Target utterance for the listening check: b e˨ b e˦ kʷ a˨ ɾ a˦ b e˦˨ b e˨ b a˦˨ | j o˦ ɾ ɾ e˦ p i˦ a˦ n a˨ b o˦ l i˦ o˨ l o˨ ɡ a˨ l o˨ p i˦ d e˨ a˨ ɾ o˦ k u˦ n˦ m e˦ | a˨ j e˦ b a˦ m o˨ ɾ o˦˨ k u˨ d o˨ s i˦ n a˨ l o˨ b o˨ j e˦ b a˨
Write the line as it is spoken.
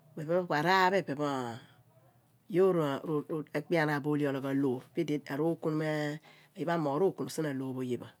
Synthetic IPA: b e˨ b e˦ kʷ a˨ ɾ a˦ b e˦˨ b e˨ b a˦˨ | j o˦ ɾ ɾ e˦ k͡p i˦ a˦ n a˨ b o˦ l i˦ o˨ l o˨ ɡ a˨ l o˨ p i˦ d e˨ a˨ ɾ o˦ k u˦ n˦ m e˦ | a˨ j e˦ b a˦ m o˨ ɾ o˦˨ k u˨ n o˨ s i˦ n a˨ l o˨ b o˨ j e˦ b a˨

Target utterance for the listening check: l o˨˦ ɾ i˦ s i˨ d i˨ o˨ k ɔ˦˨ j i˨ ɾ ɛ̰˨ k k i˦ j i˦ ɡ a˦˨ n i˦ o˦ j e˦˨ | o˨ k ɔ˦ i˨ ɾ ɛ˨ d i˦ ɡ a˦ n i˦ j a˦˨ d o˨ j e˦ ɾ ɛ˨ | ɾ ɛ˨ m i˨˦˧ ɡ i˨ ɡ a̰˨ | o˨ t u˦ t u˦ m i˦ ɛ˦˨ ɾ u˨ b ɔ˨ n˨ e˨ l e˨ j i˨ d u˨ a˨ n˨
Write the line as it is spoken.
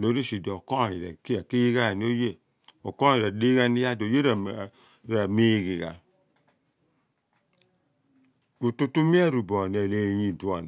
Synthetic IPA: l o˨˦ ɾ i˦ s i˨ d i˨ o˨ k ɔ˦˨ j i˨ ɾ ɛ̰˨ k k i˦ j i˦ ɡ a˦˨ n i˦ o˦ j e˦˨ | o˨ k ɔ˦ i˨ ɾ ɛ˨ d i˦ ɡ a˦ n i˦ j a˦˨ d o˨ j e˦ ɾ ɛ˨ | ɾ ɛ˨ m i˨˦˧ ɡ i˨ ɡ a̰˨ | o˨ t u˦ t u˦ m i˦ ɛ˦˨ ɾ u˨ b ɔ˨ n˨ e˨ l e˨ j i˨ d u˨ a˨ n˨

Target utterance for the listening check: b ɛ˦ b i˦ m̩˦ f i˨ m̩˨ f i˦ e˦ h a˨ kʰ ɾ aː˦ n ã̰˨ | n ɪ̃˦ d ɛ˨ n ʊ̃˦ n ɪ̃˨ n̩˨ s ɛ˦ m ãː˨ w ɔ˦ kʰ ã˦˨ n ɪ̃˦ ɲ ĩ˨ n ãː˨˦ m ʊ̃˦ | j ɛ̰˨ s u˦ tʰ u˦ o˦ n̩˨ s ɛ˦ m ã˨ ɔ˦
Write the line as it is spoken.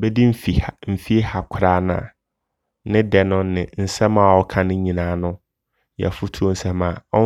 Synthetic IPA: b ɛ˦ d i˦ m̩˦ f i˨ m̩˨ f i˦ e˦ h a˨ kʰ ɾ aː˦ n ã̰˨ | n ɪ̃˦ d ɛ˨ n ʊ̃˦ n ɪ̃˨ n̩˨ s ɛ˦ m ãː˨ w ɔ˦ kʰ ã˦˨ n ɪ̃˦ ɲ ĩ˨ n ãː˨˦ n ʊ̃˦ | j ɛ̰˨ f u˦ tʰ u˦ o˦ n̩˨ s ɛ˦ m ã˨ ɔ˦

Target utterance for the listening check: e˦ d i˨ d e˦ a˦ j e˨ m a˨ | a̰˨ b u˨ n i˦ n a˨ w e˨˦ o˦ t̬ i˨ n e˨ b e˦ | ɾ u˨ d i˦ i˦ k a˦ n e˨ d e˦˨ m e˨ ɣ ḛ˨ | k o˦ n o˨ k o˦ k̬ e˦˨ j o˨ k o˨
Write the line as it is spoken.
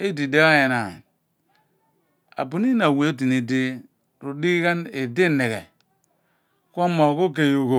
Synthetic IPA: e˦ d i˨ d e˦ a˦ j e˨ n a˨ | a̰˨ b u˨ n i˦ n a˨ w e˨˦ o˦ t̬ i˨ n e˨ d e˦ | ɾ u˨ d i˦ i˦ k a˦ n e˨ d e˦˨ n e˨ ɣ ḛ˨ | k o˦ m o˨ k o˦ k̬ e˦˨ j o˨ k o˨

